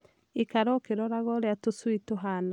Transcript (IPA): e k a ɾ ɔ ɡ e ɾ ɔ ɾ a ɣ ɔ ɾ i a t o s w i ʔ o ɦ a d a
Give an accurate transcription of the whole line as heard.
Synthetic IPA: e k a ɾ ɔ k e ɾ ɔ ɾ a ɣ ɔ ɾ e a t o s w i t o ɦ a n a